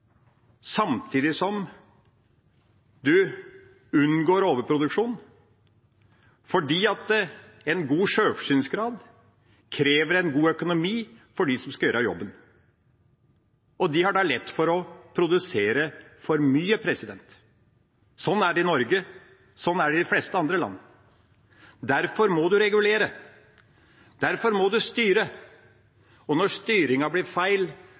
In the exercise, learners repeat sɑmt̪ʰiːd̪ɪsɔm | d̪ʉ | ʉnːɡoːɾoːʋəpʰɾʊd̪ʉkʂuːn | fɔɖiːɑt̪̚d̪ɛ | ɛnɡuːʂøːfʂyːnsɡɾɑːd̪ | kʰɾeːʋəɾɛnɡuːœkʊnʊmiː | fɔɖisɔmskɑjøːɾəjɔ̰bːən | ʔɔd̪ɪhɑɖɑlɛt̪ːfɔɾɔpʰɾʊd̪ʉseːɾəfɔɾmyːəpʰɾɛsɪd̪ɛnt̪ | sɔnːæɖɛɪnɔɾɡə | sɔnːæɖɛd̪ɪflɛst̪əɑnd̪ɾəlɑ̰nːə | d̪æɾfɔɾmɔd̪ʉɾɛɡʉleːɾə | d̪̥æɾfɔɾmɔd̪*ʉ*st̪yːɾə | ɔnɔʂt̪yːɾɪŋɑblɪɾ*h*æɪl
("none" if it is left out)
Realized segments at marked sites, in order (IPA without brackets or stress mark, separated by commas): ʉ, f